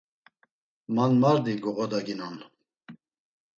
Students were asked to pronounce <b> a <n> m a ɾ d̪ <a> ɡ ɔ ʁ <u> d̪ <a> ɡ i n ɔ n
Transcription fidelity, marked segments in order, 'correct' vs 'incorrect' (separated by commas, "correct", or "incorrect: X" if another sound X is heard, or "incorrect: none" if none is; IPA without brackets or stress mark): incorrect: m, correct, incorrect: i, incorrect: ɔ, correct